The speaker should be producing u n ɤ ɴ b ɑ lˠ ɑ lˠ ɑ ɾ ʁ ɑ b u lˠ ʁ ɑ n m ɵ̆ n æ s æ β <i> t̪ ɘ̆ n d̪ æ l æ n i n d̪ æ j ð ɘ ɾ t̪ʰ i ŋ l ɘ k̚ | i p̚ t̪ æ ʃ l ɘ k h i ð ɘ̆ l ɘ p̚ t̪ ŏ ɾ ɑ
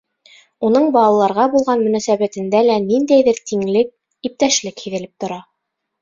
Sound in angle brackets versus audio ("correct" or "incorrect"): incorrect